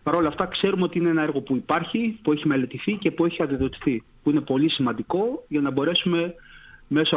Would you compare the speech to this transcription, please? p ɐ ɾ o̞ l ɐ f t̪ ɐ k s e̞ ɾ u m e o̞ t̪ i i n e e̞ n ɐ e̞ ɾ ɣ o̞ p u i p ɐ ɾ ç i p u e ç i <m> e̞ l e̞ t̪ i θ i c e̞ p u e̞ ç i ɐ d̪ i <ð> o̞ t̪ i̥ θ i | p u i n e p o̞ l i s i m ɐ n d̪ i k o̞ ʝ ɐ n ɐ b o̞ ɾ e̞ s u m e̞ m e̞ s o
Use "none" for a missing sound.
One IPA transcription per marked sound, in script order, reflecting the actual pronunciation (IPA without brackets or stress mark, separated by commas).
m, ð